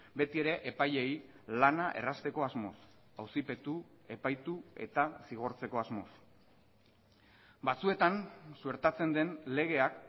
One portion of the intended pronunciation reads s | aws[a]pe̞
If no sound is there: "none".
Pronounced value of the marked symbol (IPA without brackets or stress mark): i